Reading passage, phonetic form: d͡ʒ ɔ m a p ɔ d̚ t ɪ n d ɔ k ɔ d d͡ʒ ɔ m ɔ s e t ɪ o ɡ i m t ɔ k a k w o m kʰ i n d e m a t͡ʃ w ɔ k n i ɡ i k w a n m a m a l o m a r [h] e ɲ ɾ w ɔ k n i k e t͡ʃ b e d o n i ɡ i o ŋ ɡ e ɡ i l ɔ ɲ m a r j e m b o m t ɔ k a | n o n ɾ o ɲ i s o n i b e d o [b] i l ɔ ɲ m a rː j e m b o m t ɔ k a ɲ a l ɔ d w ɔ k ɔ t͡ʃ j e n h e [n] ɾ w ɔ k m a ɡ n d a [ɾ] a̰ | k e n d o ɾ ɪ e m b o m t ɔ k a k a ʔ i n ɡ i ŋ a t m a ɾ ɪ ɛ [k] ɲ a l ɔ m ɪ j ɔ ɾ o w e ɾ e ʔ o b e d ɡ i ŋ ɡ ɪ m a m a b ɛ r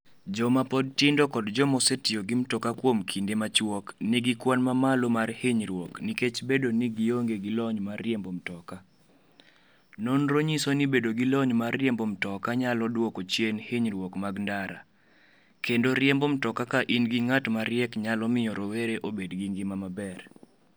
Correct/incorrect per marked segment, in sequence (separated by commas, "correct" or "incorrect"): correct, incorrect, incorrect, correct, correct